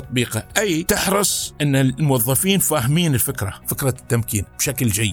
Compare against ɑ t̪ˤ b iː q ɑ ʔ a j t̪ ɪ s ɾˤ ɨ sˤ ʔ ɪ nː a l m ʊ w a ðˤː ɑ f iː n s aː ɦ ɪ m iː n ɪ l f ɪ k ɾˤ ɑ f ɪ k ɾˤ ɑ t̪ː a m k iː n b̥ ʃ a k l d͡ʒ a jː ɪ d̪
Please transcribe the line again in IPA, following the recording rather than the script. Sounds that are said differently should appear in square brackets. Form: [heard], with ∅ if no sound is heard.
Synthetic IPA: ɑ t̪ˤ b iː q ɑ ʔ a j t̪ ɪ [ħ] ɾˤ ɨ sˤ ʔ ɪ nː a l m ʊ w [ɑ] ðˤː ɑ f iː n [f] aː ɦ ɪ m iː n ɪ l f ɪ k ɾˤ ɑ f ɪ k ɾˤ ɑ t̪ː a m k iː n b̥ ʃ a k l d͡ʒ a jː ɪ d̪